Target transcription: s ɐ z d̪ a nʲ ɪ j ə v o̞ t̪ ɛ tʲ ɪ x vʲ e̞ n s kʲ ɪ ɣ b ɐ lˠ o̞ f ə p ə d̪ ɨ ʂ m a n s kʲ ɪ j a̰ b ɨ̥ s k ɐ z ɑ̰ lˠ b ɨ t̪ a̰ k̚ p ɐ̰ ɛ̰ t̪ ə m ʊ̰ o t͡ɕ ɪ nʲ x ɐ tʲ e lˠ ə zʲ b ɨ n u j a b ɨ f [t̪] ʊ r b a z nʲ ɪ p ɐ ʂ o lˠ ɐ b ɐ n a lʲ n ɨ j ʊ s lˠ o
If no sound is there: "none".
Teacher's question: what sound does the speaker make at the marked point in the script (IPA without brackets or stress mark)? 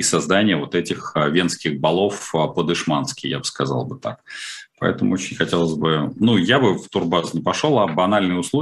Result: t̪